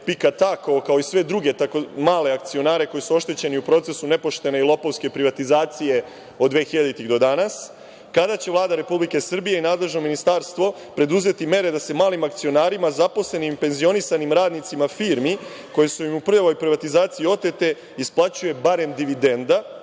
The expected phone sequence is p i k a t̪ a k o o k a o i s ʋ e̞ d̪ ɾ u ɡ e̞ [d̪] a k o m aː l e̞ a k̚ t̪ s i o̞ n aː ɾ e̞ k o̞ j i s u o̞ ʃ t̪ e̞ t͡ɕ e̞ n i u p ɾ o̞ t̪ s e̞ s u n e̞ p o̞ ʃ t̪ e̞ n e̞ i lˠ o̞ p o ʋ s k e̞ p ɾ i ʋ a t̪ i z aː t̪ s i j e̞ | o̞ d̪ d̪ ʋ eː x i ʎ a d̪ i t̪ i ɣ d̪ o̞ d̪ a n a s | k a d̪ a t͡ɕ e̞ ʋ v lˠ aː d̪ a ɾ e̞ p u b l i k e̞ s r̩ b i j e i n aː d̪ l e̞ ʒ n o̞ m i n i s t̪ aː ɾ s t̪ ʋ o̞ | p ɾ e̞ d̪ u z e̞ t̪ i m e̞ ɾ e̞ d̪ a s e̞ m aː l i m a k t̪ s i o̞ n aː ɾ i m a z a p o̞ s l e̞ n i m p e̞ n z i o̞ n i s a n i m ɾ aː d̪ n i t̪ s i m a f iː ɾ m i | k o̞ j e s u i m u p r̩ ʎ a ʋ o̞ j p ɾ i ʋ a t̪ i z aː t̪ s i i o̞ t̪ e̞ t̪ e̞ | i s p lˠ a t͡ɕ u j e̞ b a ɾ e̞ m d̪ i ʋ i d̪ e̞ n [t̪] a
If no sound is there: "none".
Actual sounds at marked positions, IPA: t̪, d̪

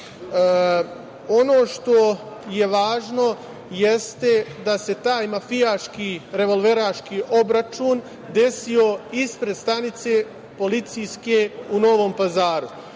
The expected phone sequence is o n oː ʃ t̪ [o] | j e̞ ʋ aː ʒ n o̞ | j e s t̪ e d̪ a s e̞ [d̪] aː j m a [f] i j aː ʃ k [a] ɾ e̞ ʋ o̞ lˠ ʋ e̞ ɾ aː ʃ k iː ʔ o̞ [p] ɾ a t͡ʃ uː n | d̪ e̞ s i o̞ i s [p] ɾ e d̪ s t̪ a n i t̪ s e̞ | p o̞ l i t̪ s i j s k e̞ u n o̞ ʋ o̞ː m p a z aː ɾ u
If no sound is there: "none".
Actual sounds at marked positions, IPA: o, t̪, f, i, b, p

